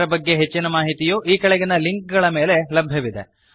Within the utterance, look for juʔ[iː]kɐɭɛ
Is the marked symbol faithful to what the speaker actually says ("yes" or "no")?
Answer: yes